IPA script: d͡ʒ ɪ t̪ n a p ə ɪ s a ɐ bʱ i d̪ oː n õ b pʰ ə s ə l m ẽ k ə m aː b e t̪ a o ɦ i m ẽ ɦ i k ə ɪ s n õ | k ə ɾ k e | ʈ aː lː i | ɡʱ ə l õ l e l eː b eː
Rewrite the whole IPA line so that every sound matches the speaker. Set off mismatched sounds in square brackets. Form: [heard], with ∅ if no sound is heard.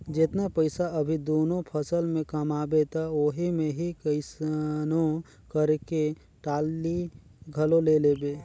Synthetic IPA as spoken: d͡ʒ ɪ t̪ n a p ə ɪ s a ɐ bʱ i d̪ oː n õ [∅] pʰ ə s ə l m ẽ k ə m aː b e t̪ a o ɦ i m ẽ ɦ i k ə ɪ s n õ | k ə ɾ k e | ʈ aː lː i | ɡʱ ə l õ l e l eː b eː